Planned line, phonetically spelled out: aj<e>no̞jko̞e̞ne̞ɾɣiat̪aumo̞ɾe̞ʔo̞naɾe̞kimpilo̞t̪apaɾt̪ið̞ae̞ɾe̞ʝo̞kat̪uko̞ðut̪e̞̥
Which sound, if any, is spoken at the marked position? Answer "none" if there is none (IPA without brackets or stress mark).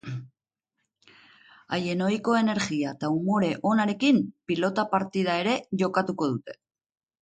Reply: e